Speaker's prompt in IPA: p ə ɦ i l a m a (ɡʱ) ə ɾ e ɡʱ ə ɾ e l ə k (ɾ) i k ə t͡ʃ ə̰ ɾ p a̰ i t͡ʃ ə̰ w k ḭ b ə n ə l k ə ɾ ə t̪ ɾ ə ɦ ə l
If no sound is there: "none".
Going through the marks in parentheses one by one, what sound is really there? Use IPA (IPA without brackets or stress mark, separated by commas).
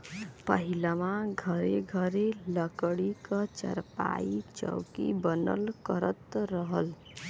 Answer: ɡʱ, ɽ